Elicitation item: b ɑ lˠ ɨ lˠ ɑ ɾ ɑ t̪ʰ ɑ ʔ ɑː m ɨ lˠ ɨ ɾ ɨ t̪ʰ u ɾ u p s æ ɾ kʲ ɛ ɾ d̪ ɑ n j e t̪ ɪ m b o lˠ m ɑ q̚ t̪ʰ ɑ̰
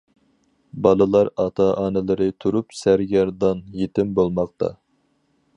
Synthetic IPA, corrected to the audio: b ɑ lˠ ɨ lˠ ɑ ɾ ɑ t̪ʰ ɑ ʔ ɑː n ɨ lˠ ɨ ɾ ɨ t̪ʰ u ɾ u p s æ ɾ ɡʲ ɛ ɾ d̪ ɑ n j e t̪ ɪ m b o lˠ m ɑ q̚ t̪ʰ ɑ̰